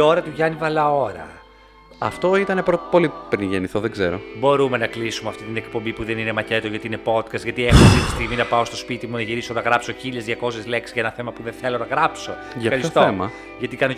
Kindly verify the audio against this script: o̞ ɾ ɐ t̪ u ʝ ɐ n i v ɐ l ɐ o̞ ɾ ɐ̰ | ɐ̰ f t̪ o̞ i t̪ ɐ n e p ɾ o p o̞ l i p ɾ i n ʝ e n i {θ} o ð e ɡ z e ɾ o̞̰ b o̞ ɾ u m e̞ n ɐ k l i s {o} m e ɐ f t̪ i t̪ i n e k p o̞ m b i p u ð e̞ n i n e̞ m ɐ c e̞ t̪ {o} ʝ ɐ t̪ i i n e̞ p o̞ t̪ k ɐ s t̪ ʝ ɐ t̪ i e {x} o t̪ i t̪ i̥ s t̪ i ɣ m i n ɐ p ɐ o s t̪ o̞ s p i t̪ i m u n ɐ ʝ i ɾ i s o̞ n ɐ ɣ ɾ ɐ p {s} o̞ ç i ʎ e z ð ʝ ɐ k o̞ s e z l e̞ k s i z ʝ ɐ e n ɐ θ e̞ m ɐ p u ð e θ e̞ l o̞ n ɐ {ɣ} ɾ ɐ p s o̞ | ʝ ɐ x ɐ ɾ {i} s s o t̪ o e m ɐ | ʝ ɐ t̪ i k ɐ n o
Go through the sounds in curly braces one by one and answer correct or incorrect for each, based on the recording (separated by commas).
correct, incorrect, correct, correct, correct, correct, correct